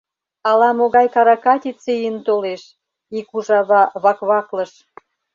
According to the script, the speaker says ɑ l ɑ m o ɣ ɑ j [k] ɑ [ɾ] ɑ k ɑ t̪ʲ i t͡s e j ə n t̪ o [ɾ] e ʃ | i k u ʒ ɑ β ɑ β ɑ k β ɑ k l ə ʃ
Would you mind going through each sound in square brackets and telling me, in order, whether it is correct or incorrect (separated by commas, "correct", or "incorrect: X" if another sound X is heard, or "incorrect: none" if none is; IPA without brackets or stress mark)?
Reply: correct, correct, incorrect: l